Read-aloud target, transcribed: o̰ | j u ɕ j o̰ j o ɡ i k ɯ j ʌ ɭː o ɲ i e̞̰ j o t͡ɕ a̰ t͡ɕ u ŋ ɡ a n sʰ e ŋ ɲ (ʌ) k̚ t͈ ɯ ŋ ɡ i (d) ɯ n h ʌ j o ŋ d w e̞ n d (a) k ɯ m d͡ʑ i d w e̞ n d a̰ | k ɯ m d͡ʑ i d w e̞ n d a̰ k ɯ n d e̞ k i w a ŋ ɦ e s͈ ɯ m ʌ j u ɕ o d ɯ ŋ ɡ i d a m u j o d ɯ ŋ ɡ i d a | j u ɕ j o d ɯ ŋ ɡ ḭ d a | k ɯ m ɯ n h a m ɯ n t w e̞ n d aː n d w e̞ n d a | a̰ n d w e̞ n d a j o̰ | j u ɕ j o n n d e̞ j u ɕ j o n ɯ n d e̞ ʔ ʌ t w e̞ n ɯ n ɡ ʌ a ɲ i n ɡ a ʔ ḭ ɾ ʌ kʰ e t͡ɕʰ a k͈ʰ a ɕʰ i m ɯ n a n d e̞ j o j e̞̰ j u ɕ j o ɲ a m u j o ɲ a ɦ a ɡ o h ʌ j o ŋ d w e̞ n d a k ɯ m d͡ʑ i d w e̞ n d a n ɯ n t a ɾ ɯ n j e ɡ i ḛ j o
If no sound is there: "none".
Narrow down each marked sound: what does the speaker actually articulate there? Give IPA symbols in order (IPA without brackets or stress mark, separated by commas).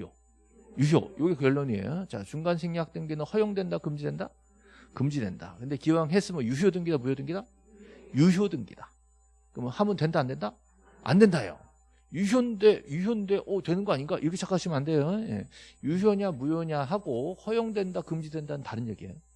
a, n, a